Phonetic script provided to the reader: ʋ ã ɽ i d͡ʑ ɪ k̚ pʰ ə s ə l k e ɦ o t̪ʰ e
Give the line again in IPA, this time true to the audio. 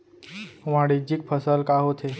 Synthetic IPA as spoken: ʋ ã ɽ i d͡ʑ i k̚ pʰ ə s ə l k a ɦ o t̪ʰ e